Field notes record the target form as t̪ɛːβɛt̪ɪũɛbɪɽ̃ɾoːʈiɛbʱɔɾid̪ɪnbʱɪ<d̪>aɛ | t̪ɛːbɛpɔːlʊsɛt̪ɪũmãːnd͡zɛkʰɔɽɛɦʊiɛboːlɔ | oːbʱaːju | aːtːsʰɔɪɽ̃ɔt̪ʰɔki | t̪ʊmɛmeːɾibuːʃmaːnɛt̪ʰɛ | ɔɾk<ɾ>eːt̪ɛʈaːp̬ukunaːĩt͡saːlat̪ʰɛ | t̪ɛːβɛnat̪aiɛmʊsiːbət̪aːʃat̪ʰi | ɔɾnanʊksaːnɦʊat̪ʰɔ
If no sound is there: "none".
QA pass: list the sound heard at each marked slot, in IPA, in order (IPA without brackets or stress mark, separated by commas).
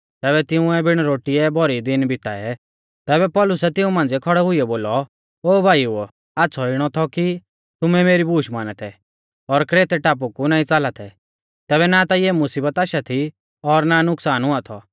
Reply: t̪, ɾ